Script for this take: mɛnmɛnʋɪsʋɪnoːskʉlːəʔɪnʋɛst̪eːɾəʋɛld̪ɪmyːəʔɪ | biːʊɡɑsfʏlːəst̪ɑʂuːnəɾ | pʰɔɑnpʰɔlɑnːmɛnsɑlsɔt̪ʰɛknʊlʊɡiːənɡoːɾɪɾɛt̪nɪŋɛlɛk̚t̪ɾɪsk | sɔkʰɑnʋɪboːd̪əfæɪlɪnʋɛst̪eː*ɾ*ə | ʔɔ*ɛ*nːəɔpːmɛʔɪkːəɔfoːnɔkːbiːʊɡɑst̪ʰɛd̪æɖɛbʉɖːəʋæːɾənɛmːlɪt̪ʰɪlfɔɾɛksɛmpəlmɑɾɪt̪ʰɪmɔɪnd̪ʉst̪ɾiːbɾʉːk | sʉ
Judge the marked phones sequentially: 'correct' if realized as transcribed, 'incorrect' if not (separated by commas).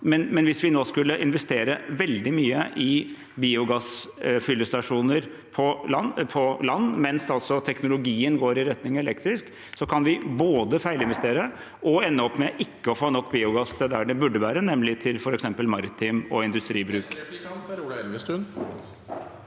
correct, correct